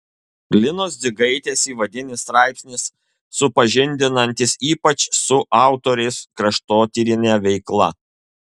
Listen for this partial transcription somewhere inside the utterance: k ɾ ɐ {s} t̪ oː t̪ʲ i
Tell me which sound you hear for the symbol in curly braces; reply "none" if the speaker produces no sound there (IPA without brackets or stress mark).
ʃ